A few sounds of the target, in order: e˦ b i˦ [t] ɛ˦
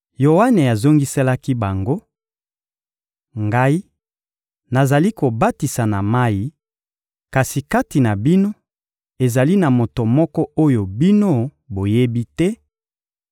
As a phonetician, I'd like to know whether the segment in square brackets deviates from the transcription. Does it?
no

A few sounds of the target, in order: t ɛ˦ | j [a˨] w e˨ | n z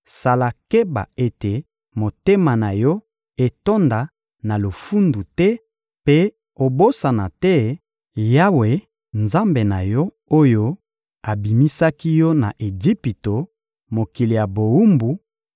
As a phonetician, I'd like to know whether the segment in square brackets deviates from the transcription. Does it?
yes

